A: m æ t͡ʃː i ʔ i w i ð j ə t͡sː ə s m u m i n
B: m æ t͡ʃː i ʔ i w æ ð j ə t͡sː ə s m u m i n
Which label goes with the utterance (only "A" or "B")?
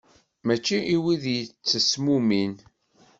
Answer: A